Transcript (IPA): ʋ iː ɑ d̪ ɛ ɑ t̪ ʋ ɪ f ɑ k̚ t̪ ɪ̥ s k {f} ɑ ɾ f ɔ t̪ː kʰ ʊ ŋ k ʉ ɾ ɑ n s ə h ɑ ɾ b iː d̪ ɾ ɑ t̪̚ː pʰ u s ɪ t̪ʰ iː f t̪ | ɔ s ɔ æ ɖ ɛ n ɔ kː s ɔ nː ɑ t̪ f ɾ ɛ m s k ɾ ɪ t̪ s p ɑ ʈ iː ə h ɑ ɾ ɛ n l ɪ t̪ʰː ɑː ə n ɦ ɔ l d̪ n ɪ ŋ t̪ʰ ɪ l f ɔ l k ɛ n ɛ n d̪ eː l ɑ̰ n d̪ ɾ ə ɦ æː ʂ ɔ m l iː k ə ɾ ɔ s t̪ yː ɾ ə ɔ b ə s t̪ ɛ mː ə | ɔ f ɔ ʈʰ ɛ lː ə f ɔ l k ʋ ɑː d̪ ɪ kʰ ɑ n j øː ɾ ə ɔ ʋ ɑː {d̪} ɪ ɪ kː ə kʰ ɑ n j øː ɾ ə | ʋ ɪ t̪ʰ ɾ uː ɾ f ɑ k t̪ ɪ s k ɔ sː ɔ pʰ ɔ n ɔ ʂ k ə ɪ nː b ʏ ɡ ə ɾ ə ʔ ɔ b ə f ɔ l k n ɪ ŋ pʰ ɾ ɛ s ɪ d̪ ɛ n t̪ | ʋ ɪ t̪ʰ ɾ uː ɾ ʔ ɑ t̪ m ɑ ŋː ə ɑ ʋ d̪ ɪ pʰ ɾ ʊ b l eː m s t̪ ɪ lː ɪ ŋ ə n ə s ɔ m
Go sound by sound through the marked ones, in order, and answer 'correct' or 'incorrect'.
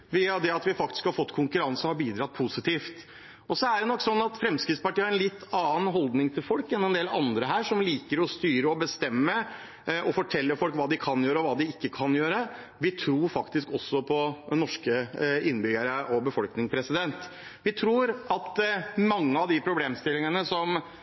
incorrect, correct

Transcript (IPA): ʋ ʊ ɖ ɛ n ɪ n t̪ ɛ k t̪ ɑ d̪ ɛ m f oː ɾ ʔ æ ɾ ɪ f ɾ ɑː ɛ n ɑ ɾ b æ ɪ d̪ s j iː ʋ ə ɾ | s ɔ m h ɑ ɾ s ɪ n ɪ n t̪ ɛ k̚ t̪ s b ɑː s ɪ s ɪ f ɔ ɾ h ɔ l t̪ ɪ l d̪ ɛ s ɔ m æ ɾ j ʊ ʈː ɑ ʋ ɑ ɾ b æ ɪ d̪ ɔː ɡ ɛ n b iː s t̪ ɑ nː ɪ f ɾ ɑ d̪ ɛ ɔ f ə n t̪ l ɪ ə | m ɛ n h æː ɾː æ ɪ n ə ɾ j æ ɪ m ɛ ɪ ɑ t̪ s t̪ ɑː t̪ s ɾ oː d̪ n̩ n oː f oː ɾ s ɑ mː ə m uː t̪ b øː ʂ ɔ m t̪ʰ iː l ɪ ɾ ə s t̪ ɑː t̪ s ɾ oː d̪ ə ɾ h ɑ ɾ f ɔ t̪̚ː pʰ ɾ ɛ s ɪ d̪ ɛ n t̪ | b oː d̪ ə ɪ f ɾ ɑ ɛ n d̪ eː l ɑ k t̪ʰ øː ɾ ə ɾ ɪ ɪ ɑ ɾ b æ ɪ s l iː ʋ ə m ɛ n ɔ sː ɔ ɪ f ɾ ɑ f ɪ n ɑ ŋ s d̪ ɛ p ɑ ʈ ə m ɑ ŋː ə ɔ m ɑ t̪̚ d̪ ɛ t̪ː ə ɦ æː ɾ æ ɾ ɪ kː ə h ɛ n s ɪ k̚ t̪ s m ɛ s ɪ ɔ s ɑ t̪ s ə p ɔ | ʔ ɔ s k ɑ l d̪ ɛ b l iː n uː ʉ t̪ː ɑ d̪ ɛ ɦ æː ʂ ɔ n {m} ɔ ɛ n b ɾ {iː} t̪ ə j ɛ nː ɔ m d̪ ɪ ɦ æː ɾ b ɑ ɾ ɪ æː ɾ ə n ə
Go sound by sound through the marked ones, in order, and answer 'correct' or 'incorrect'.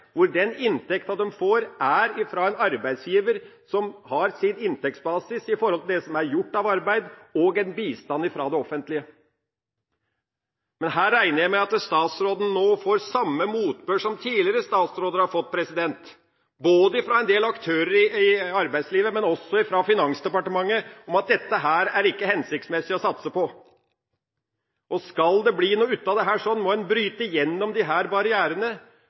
correct, incorrect

